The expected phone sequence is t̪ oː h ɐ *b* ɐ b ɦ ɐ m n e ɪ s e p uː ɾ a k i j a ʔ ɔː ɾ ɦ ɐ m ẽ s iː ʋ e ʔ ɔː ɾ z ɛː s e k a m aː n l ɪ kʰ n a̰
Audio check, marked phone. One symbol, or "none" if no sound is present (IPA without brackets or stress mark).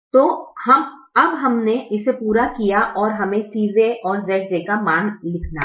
m